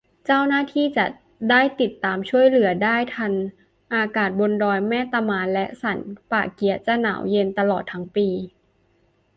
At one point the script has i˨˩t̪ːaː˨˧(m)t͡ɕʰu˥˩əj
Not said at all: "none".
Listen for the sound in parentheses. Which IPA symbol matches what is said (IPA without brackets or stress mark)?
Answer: m